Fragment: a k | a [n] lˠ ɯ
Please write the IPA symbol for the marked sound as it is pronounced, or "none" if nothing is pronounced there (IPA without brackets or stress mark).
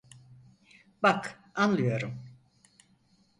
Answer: n